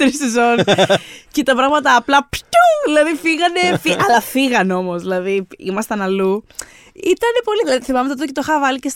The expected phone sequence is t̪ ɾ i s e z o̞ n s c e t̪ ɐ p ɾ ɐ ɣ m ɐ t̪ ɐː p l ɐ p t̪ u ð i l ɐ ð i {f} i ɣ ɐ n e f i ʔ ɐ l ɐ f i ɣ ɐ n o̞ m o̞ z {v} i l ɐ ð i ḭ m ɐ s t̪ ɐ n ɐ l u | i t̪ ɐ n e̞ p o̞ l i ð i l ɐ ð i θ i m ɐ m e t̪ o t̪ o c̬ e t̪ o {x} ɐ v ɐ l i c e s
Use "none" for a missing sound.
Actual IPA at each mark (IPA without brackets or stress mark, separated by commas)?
f, ð, x